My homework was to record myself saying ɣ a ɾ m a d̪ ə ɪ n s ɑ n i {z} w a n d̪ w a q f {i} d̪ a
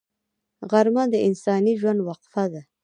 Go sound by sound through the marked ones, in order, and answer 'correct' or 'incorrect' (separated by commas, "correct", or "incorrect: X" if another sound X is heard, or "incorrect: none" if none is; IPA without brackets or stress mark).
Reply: incorrect: ʒ, incorrect: a